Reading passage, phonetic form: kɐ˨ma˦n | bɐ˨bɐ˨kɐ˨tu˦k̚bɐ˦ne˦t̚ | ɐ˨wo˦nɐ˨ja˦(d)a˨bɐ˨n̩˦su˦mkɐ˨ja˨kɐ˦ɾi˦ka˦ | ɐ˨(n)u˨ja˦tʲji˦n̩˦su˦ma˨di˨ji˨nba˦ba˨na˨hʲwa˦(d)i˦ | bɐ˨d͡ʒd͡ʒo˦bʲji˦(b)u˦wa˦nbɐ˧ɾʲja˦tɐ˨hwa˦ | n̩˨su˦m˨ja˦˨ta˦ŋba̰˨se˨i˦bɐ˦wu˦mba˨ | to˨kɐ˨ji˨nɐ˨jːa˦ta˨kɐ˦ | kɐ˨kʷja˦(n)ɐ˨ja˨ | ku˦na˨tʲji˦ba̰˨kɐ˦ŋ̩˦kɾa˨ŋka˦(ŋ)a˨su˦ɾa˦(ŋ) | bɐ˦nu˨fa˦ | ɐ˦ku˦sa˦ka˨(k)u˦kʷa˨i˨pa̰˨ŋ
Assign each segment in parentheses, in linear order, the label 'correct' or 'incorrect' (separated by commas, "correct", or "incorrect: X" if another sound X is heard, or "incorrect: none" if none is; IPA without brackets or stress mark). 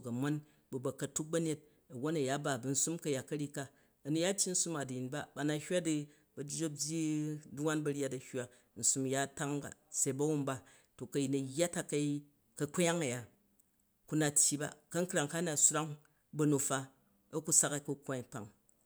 incorrect: b, correct, correct, incorrect: d, incorrect: ŋ, incorrect: n, correct, correct